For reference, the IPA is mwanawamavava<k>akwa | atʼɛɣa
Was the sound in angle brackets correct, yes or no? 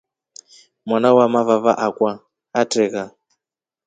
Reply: no